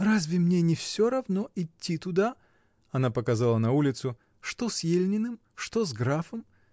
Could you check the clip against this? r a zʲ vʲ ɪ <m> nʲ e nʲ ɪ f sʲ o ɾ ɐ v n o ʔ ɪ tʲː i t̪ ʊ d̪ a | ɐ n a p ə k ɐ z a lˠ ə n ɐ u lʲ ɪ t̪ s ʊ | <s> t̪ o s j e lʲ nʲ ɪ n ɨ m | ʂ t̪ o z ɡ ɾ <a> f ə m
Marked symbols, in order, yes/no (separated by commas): yes, no, yes